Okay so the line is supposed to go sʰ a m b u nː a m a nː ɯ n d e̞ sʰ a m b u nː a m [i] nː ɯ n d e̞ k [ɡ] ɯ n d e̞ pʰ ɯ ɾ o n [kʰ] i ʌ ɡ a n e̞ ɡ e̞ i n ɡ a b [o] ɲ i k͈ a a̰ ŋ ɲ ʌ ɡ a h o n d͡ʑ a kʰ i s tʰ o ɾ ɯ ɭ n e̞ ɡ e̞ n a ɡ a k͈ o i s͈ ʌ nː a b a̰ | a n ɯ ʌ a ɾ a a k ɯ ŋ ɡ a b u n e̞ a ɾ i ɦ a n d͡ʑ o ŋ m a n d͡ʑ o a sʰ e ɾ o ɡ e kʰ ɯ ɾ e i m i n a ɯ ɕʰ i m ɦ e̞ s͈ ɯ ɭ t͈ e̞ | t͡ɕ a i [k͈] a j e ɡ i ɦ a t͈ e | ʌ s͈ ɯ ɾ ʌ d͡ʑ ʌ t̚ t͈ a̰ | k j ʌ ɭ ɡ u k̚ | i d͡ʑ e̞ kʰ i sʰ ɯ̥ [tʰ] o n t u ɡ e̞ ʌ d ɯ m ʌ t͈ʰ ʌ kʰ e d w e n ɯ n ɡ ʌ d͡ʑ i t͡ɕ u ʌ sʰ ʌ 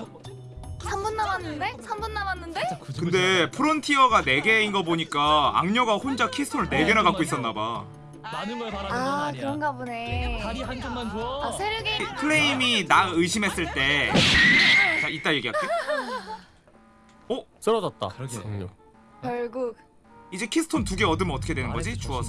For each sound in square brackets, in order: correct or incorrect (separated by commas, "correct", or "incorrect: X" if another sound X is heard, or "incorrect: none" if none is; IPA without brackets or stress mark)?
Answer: incorrect: a, incorrect: k, incorrect: tʰ, correct, incorrect: t͈, correct